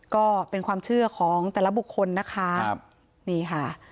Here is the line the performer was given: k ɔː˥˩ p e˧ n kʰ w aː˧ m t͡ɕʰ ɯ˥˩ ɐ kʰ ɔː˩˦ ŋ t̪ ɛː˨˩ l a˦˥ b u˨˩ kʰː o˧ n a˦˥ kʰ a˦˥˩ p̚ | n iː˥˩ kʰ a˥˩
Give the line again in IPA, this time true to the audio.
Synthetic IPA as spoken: k ɔː˥˩ p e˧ n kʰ w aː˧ m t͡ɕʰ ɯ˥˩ ɐ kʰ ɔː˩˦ ŋ t̪ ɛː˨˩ l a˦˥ b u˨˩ kʰː o˧ nː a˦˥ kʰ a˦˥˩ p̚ | n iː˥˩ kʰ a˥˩